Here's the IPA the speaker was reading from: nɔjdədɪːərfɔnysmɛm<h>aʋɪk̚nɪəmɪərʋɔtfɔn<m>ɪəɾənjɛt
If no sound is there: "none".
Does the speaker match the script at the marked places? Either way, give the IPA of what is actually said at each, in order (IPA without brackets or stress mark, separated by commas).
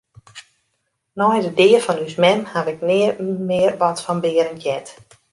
h, b